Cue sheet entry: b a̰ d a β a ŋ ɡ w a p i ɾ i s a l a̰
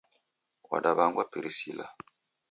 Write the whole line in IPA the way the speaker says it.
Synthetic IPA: w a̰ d a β a ŋ ɡ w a p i ɾ i s i l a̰